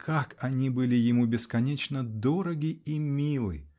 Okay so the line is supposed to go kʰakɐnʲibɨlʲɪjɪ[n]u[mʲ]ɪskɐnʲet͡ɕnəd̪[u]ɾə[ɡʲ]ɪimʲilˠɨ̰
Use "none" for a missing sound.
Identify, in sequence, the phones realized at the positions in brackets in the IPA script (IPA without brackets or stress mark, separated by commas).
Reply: m, bʲ, o, ɡʲ